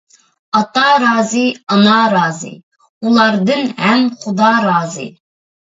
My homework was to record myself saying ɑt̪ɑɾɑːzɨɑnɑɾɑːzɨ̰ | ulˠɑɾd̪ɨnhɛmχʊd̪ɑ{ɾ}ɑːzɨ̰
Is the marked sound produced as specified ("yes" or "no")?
yes